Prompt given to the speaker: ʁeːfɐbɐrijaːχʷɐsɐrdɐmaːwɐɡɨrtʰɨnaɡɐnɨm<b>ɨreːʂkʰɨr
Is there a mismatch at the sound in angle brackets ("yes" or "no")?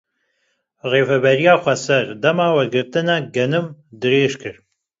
yes